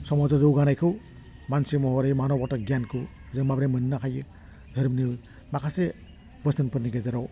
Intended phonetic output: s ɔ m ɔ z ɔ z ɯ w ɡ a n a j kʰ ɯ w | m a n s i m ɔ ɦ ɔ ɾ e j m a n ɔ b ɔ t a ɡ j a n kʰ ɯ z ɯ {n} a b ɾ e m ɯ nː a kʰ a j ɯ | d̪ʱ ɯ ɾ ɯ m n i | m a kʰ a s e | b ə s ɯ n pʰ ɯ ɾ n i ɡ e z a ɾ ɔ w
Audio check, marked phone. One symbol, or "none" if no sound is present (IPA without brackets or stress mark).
m